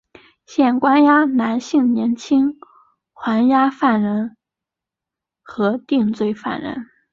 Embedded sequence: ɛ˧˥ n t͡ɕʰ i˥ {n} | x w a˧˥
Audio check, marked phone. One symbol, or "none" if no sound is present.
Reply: ŋ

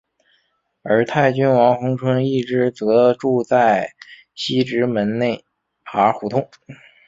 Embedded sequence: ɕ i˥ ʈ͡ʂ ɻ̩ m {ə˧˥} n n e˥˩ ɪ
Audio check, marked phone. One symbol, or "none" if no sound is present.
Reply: ə˧˥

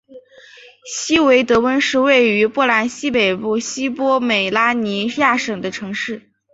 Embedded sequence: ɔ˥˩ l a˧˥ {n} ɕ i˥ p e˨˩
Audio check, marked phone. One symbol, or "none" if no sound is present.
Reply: n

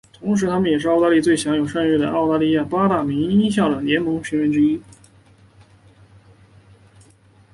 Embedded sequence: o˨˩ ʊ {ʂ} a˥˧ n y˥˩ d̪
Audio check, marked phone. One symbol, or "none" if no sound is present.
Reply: ʂ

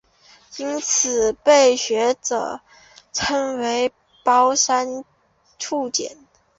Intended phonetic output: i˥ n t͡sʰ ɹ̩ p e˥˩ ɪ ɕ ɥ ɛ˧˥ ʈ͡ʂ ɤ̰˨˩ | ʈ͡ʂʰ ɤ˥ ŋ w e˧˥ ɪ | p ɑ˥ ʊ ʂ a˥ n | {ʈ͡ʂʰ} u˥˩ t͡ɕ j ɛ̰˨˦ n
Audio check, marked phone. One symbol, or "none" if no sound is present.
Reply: ʈ͡ʂʰ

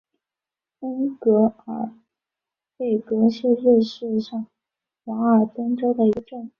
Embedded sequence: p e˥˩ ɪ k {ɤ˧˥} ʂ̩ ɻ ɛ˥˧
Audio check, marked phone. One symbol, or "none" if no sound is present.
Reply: ɤ˧˥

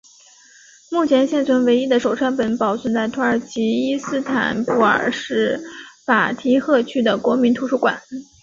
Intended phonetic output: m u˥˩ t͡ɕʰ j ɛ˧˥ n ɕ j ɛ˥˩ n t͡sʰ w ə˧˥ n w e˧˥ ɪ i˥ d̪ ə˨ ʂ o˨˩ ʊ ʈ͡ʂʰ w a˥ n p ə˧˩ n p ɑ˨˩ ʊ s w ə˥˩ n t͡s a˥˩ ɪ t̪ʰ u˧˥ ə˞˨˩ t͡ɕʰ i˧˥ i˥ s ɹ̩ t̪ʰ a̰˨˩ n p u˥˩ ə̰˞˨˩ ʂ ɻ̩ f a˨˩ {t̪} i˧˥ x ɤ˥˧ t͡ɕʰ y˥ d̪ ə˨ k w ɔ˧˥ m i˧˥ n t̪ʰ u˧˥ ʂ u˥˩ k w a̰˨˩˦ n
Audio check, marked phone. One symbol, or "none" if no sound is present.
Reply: t̪ʰ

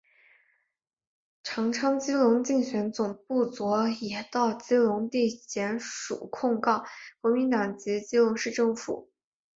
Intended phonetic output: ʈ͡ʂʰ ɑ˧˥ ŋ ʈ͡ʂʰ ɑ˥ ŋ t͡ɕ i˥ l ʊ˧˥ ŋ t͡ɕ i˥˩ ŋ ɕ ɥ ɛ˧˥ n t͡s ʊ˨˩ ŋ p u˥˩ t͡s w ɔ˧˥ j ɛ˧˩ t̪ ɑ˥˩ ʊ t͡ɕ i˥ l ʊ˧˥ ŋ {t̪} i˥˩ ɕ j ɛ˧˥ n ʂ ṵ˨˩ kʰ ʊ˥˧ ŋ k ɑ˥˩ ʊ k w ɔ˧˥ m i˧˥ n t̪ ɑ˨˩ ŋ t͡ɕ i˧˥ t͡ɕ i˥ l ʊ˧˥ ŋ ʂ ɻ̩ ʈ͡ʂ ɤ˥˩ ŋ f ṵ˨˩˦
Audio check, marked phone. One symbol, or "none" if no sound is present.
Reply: t̪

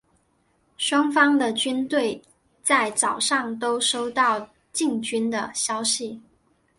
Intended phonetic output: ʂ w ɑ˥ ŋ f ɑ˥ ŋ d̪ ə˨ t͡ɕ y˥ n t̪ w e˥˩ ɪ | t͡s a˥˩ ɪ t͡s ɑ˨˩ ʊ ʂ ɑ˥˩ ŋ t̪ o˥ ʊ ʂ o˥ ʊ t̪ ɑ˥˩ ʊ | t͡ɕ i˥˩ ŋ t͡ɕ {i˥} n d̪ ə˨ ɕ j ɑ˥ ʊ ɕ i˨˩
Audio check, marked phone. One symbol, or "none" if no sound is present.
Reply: y˥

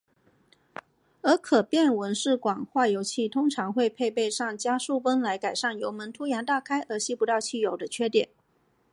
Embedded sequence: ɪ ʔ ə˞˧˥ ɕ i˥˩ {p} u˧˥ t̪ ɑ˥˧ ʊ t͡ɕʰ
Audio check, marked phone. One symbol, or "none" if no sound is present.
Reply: p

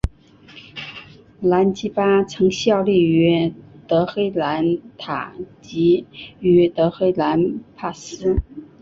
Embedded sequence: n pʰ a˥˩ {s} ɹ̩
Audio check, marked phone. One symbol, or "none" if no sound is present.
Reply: s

